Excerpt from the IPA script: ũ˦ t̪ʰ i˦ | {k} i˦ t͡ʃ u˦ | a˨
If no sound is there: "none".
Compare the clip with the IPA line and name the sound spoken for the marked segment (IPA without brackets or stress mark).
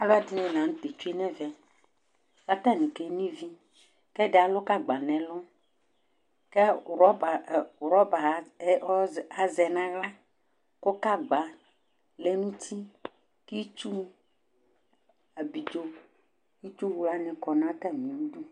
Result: k